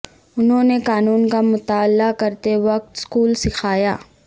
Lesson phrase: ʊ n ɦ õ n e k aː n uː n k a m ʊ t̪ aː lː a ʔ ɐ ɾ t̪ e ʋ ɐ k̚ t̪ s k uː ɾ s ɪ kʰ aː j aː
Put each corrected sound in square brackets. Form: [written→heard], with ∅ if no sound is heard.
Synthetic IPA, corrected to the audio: ʊ n ɦ õ n e k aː n uː n k a m ʊ t̪ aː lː a [ʔ→k] ɐ ɾ t̪ e ʋ ɐ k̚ t̪ s k uː [ɾ→l] s ɪ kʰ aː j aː

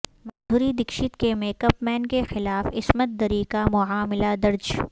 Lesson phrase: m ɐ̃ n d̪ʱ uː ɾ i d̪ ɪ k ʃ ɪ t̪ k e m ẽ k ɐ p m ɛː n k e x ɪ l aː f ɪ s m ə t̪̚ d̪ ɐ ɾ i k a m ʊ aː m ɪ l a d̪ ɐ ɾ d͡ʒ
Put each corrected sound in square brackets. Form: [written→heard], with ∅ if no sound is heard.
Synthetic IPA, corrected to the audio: m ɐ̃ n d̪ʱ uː ɾ i d̪ ɪ k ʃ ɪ t̪ k e m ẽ k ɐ p m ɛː n k e x ɪ l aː f ɪ s m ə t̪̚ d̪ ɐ ɾ i k a m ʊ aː m ɪ l a d̪ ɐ ɾ d͡ʒ

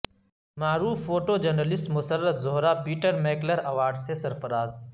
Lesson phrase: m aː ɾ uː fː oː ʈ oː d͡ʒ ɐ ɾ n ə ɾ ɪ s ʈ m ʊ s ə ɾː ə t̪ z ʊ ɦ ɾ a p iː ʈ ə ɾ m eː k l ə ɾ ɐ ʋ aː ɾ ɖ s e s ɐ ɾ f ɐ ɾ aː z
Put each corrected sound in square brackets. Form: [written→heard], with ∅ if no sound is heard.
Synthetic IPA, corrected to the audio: m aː ɾ uː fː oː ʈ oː d͡ʒ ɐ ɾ n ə [ɾ→l] ɪ s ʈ m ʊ s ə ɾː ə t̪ z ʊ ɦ ɾ a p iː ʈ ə ɾ m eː k l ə ɾ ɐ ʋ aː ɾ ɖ s e s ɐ ɾ f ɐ ɾ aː z

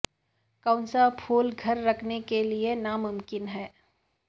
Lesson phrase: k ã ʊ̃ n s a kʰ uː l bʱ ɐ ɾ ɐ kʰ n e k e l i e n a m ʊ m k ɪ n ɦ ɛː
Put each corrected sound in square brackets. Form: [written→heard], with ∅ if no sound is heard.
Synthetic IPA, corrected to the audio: k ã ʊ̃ n s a [kʰ→pʰ] uː l [bʱ→ɡʱ] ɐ [ɾ→ɾː] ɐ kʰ n e k e l i e n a m ʊ m k ɪ n ɦ ɛː

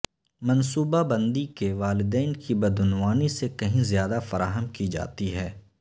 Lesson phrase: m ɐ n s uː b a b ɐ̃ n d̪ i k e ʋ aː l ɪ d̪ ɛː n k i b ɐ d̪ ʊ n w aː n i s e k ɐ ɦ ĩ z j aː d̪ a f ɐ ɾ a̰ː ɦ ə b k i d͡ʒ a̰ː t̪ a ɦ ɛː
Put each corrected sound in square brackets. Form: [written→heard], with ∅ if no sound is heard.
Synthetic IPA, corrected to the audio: m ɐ n s uː b a b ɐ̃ n d̪ i k e ʋ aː l ɪ d̪ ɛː n k i b ɐ d̪ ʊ n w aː n i s e k ɐ ɦ ĩ z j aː d̪ a f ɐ ɾ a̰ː ɦ ə [b→m] k i d͡ʒ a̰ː t̪ [a→i] ɦ ɛː

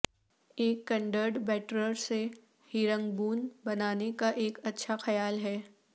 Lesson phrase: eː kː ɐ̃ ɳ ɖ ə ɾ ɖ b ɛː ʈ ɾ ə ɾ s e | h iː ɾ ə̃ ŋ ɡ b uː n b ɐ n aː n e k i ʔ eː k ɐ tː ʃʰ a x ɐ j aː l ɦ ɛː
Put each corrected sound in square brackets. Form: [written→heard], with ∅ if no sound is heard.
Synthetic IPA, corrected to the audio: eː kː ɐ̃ ɳ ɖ ə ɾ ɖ b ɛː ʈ ɾ ə ɾ s e | h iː ɾ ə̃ ŋ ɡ b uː n b ɐ n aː n e k [i→a] ʔ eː k ɐ tː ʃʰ a x ɐ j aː l ɦ ɛː

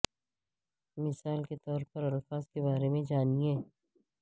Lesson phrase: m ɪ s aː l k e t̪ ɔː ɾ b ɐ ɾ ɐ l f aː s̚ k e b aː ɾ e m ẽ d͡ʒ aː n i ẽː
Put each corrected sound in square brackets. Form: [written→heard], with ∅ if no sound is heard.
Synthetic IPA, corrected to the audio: m ɪ s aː l k e t̪ ɔː ɾ [b→p] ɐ ɾ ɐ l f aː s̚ k e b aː ɾ e m ẽ d͡ʒ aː n i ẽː

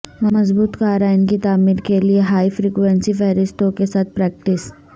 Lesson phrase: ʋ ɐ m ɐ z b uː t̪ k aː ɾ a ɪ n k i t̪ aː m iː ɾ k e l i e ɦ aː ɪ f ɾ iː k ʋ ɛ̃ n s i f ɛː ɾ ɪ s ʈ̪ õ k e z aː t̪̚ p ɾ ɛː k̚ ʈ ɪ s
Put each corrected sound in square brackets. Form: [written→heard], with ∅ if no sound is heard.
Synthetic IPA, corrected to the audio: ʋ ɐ m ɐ z b uː t̪ k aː ɾ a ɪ n k i t̪ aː m iː ɾ k e l i e ɦ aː [ɪ→i] f ɾ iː k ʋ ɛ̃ n s i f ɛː ɾ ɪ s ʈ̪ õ k e [z→s] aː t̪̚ p ɾ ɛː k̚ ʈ ɪ s

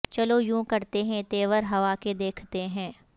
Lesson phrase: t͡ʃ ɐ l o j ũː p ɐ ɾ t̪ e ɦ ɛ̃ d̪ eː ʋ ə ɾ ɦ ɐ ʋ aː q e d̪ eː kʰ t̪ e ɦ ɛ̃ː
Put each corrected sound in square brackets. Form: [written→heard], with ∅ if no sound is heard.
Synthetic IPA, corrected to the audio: t͡ʃ ɐ l o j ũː [p→k] ɐ ɾ t̪ e ɦ ɛ̃ [d̪→t̪] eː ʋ ə ɾ ɦ ɐ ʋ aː [q→k] e d̪ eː kʰ t̪ e ɦ ɛ̃ː

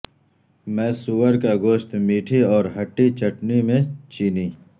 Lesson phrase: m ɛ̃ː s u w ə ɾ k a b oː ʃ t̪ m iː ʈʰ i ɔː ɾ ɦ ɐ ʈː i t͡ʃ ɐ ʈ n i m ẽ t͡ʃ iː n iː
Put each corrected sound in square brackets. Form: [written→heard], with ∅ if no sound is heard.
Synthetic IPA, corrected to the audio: m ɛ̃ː s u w ə ɾ k a [b→ɡ] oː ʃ t̪ m iː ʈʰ i ɔː ɾ ɦ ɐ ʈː i t͡ʃ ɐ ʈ n i m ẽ t͡ʃ iː n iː

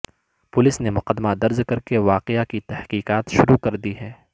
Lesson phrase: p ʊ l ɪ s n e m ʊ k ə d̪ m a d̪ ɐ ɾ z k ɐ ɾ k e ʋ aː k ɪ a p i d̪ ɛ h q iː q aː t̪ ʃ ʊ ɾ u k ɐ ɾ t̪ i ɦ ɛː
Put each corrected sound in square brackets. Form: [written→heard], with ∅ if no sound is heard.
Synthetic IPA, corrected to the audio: p ʊ l ɪ s n e m ʊ [k→q] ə d̪ m a d̪ ɐ ɾ z k ɐ ɾ k e ʋ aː [k→q] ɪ a [p→k] i [d̪→t̪] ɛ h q iː q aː t̪ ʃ ʊ ɾ u k ɐ ɾ [t̪→d̪] i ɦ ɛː

